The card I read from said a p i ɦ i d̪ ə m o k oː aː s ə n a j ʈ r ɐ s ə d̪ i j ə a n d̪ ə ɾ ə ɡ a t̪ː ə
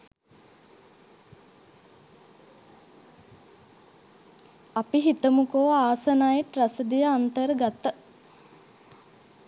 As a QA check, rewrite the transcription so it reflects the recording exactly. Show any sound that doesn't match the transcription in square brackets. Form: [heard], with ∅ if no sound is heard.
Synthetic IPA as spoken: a p i ɦ i [t̪] ə m [u] k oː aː s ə n a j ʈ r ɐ s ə d̪ i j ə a n [t̪] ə ɾ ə ɡ a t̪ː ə